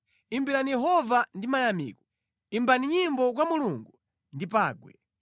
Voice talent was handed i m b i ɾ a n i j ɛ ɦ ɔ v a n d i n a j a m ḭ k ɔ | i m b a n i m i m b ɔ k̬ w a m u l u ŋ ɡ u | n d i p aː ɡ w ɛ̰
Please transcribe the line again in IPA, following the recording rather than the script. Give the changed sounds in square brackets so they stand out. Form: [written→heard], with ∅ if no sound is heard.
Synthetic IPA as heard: i m b i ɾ a n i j ɛ ɦ ɔ v a n d i [n→m] a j a m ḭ k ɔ | i m b a n i [m→ɲ] i m b ɔ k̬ w a m u l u ŋ ɡ u | n d i p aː ɡ w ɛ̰